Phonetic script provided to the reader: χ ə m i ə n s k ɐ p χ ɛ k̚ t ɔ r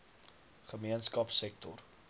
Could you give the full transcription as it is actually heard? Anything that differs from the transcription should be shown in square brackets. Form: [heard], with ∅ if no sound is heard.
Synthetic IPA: χ ə m i ə n s k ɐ p [s] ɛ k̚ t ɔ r